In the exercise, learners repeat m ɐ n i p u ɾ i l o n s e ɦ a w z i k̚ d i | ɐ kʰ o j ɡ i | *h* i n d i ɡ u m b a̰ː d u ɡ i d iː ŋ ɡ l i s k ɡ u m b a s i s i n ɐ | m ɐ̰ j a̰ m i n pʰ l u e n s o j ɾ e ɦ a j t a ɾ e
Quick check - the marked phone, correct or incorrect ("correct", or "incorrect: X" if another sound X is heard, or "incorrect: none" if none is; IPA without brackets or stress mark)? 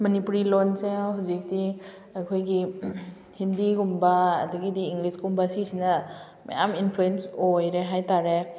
correct